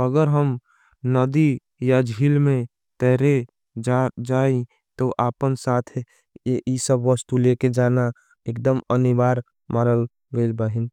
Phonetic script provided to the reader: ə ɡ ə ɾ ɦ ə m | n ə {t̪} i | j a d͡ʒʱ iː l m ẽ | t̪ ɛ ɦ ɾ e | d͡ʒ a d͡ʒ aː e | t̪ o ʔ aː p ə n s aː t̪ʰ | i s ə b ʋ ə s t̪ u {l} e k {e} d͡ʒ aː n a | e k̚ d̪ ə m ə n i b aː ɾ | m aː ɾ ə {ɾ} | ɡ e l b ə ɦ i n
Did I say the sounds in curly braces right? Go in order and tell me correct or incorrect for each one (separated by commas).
incorrect, correct, correct, incorrect